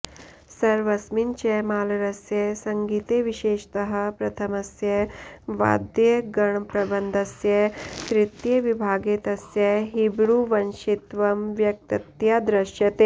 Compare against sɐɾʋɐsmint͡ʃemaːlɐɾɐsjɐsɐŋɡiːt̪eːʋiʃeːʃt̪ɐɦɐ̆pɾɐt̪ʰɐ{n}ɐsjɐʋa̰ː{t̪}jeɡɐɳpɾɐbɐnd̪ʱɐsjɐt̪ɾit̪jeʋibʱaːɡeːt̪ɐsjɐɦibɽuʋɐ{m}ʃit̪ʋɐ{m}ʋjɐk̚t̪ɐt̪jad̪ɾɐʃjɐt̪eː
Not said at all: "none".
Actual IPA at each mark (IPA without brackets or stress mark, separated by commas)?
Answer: m, d̪, n, m